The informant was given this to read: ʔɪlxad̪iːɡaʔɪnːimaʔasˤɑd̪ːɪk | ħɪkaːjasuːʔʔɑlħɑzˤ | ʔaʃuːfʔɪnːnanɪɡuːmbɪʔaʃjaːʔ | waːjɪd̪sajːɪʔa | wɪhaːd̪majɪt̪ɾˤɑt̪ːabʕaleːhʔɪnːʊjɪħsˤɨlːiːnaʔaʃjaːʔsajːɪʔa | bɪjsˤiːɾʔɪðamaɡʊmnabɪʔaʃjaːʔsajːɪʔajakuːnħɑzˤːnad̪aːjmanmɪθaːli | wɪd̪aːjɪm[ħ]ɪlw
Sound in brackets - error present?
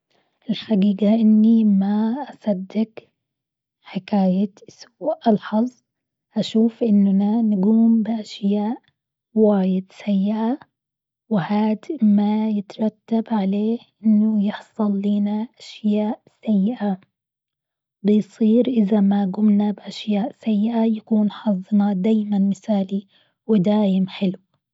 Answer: no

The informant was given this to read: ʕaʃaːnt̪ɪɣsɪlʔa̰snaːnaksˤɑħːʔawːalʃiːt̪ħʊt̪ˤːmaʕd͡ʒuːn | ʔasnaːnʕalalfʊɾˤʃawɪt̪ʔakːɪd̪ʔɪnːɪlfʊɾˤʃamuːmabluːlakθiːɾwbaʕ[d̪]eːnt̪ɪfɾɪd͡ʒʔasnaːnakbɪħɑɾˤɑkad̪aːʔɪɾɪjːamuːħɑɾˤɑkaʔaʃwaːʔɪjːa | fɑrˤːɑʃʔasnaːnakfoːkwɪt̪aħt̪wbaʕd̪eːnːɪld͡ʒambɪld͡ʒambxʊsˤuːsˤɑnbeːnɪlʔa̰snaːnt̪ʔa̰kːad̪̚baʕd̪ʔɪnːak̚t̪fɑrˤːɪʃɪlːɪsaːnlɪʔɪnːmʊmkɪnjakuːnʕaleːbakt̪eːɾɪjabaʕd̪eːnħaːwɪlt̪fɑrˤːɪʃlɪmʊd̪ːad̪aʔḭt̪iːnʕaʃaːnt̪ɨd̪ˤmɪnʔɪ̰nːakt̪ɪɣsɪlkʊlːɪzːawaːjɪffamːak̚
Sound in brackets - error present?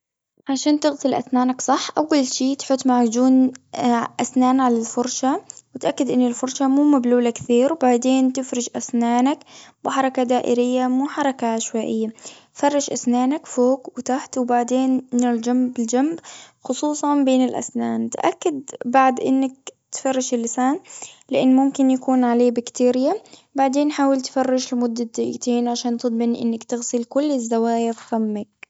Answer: no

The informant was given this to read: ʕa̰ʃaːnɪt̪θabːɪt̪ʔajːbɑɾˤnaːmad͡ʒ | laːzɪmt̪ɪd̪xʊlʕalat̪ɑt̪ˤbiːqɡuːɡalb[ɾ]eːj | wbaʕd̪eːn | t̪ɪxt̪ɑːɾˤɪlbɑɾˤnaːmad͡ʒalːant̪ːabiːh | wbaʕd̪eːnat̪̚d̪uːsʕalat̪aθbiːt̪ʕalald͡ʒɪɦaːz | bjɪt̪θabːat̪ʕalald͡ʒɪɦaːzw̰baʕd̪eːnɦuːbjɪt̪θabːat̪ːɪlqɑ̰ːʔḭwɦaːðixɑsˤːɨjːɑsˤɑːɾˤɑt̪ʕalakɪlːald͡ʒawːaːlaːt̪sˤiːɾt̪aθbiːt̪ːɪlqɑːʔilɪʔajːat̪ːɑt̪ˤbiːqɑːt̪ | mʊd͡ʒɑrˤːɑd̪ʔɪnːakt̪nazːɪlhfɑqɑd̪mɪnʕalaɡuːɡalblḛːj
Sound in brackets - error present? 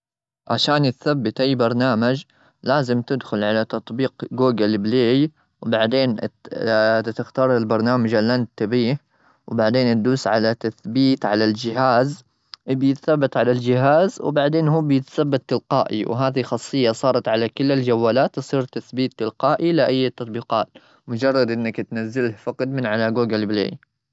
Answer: yes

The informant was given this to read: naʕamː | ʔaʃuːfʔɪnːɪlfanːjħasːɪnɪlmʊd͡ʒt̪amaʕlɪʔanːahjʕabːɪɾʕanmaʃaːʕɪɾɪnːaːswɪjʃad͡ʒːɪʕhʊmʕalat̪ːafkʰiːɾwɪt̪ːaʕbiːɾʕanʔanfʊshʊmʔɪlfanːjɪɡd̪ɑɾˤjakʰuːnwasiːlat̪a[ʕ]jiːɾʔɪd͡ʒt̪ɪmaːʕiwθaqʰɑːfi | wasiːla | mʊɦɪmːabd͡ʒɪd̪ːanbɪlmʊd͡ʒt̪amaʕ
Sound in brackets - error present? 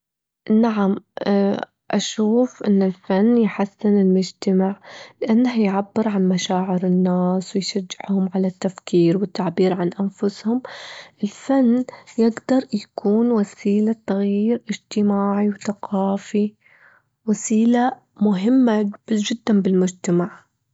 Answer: yes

